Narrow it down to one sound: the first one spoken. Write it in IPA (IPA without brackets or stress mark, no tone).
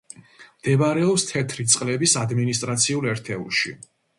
m